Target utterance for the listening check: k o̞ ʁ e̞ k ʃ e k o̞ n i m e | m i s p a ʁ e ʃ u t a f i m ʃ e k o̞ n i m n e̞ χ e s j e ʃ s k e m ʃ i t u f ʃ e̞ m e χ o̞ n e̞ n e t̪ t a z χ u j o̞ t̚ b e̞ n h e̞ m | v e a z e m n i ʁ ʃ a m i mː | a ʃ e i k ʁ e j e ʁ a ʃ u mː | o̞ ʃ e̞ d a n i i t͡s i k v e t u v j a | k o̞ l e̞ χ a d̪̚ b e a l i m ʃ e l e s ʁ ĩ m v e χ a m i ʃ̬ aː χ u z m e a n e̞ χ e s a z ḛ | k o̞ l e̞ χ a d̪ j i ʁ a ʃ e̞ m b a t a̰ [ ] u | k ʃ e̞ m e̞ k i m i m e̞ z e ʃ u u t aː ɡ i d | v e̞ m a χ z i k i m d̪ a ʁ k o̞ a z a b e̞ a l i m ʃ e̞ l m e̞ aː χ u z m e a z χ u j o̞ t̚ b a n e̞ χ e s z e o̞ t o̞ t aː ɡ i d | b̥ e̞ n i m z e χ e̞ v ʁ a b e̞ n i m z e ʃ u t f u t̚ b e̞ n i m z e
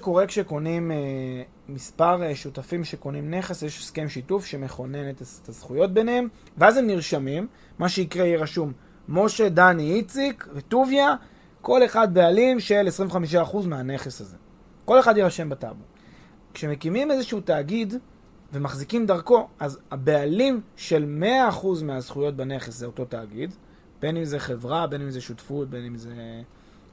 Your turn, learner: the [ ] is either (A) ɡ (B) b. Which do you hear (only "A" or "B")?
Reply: B